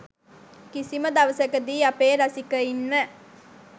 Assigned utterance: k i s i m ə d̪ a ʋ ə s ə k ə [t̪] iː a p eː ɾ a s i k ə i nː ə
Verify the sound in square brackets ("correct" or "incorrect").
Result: incorrect